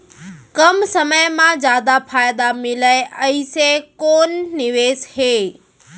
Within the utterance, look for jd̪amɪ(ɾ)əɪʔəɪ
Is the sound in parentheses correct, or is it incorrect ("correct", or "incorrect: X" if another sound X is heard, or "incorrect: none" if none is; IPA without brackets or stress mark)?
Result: incorrect: l